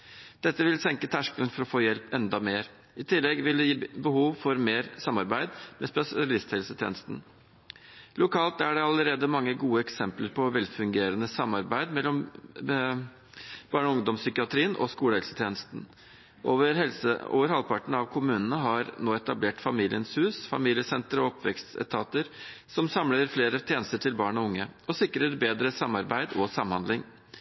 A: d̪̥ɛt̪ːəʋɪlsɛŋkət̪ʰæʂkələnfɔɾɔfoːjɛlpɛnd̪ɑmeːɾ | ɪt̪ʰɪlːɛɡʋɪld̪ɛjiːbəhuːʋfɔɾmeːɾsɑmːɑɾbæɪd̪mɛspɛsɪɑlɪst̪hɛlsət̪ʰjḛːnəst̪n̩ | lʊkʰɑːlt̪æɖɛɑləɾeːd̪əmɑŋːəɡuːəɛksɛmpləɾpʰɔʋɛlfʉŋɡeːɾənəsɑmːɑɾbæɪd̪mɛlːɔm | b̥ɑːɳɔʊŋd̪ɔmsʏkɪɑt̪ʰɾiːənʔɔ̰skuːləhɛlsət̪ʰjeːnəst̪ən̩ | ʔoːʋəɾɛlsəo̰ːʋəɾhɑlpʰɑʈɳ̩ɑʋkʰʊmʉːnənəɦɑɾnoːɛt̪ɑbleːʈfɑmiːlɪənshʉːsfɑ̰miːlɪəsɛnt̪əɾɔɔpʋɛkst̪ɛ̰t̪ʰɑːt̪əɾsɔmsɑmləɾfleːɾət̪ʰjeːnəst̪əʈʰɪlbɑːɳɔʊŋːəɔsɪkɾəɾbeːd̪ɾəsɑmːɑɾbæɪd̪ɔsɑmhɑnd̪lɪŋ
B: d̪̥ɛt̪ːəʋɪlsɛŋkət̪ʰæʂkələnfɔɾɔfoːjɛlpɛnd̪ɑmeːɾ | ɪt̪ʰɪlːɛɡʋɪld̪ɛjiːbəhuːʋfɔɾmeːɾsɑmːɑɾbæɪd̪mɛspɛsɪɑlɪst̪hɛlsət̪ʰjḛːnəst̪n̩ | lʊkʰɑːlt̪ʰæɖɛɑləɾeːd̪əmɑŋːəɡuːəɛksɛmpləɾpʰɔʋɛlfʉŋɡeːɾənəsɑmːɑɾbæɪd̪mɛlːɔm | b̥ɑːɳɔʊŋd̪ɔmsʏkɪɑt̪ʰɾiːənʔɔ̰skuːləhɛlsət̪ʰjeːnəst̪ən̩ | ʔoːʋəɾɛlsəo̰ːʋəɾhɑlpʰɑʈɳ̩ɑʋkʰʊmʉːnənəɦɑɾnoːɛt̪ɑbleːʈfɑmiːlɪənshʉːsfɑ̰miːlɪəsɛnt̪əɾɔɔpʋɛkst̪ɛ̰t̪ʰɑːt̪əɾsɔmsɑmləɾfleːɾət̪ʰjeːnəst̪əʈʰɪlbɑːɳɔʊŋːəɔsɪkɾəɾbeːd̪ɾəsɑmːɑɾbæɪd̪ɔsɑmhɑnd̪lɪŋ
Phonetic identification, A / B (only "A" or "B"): A